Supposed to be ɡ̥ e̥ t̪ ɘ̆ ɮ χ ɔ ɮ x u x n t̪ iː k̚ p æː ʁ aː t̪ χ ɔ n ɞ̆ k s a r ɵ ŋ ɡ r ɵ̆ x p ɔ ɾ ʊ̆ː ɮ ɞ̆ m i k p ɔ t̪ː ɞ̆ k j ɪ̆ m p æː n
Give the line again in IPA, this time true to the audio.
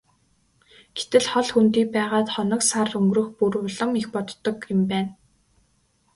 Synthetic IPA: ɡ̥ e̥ t̪ ɘ̆ ɮ χ ɔ ɮ x u n t̪ iː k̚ p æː ʁ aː t̪ χ ɔ n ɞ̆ k s a r ɵ ŋ ɡ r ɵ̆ x p u ɾ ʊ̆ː ɮ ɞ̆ m i x p ɔ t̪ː ɞ̆ k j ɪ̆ m p æː n